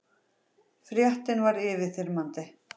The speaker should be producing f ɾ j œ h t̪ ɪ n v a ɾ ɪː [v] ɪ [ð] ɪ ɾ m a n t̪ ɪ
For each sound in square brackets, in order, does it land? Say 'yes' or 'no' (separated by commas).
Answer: yes, no